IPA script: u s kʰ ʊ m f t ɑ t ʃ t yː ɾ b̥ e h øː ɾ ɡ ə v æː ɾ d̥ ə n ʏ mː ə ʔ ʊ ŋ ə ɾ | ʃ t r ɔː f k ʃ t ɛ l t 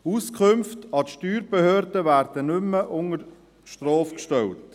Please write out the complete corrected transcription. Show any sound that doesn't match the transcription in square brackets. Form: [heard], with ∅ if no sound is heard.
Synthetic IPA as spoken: u s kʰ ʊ m f t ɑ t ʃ t yː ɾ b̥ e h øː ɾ [d] ə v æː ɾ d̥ ə n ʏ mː ə ʔ ʊ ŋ ə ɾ | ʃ t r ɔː f k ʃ t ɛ l t